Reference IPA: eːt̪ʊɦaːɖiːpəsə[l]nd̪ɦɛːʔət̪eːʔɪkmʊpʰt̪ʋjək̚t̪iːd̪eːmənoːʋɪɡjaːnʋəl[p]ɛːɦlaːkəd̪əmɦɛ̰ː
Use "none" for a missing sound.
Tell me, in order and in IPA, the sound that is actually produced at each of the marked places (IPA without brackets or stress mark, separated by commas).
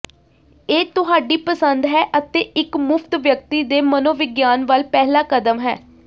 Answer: none, p